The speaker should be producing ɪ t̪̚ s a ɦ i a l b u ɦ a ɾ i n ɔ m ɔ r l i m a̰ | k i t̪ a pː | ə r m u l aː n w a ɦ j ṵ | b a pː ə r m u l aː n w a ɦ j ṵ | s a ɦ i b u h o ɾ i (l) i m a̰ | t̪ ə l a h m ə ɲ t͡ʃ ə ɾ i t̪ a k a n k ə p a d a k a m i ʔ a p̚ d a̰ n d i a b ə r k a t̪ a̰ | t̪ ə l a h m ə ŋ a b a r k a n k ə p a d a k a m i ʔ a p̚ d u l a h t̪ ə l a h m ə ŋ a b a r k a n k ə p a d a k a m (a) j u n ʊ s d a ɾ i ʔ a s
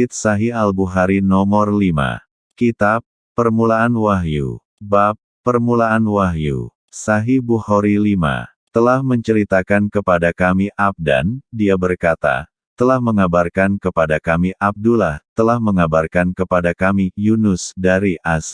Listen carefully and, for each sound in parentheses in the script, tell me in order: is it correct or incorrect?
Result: correct, incorrect

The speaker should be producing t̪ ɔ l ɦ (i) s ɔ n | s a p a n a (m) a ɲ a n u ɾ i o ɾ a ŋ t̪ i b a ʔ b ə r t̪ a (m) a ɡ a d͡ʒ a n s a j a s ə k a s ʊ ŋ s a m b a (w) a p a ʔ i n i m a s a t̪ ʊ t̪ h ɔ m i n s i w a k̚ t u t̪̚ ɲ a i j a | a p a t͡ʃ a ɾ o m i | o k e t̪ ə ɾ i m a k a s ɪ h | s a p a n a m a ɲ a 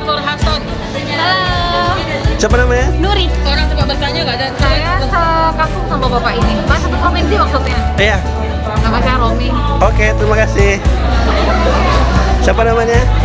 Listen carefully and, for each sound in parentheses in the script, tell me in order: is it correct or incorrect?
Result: incorrect, correct, incorrect, incorrect

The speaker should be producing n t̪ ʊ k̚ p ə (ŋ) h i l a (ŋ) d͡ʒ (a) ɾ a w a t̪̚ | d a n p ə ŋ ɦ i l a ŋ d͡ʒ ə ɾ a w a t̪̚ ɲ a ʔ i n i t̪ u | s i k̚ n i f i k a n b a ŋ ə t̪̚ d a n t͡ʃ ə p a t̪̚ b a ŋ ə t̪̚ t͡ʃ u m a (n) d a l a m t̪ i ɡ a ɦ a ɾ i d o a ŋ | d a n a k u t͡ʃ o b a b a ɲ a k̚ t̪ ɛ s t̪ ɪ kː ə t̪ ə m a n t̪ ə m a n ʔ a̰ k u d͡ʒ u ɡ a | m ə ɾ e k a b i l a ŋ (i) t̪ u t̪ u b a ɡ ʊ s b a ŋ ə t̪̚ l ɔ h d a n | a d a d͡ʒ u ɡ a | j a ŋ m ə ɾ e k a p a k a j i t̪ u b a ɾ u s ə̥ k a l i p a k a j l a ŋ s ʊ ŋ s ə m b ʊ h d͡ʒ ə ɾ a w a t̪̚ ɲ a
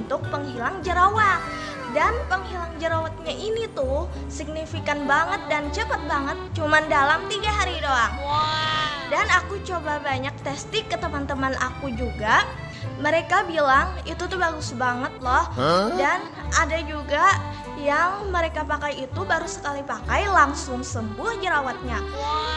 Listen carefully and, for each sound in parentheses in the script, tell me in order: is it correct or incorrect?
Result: correct, correct, incorrect, correct, correct

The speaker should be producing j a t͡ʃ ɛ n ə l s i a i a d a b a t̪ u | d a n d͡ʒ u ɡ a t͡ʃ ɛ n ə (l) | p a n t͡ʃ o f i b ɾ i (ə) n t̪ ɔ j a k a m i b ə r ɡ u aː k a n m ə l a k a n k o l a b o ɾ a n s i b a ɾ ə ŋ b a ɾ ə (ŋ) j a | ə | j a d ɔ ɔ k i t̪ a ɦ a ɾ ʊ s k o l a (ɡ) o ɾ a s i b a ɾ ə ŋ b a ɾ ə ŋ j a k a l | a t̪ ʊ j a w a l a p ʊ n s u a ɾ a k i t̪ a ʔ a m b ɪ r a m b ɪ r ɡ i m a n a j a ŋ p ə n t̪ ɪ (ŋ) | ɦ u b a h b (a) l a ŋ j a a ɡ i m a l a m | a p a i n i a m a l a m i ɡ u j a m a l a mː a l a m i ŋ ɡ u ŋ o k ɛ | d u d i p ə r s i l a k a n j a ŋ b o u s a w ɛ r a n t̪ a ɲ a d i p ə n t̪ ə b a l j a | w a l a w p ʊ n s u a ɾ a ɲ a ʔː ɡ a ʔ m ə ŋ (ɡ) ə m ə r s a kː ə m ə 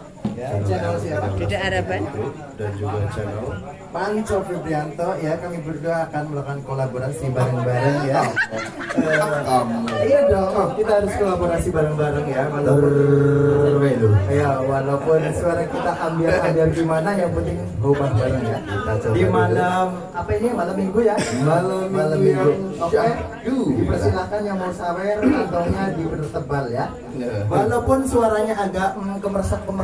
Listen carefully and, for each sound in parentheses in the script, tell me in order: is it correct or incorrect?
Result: correct, incorrect, correct, incorrect, correct, correct, incorrect

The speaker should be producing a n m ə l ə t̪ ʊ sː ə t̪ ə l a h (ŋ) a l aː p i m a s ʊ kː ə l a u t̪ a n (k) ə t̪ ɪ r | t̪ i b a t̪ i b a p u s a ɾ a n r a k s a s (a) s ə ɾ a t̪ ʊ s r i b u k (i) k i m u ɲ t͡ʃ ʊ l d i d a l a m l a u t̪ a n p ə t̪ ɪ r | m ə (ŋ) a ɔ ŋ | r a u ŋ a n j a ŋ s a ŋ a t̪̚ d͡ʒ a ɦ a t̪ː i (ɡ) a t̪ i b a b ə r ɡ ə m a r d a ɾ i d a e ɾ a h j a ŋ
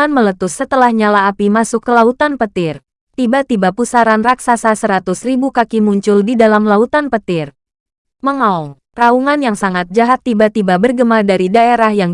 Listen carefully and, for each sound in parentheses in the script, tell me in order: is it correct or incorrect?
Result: incorrect, incorrect, correct, incorrect, correct, incorrect

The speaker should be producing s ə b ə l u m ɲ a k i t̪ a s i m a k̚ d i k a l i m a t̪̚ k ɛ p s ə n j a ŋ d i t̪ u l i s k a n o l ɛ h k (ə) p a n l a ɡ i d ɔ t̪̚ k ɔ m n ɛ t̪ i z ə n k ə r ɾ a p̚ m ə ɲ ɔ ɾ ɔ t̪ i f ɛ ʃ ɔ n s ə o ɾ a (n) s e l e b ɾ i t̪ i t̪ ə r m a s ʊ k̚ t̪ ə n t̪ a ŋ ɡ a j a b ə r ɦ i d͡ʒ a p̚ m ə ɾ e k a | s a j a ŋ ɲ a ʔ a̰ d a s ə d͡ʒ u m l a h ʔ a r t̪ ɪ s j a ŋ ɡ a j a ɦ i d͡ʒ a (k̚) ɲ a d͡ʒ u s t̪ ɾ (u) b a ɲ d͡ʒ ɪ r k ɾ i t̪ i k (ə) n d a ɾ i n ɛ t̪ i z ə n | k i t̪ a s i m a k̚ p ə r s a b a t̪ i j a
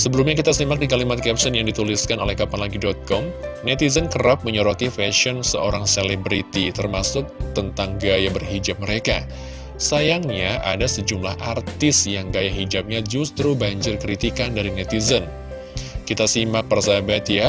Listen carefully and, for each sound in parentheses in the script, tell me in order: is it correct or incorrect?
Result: incorrect, incorrect, incorrect, correct, incorrect

